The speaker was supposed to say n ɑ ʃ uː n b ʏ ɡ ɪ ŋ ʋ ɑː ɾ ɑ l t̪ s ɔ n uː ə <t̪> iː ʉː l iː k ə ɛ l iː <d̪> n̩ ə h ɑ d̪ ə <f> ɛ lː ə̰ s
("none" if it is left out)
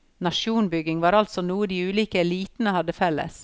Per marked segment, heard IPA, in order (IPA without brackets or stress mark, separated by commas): d̪, t̪, f